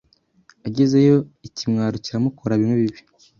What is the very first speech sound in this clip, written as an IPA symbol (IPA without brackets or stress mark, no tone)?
a